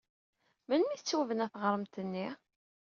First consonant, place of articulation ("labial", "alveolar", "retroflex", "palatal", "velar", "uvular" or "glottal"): labial